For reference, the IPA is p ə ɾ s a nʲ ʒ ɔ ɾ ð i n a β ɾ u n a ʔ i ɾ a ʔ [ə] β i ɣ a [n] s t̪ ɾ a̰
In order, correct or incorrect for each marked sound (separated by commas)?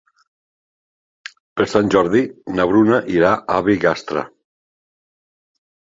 incorrect, incorrect